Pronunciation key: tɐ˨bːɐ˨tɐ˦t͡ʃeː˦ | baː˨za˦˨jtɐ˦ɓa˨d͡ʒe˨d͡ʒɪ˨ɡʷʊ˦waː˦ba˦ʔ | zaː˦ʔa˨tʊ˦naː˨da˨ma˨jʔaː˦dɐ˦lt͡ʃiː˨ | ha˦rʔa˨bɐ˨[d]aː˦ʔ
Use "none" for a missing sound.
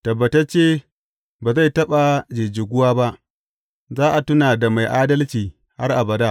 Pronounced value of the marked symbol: d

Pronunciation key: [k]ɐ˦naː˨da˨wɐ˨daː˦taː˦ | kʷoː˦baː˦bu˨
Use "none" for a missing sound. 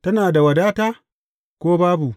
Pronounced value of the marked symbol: t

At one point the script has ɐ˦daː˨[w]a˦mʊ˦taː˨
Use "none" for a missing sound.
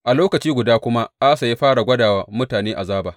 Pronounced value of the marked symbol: w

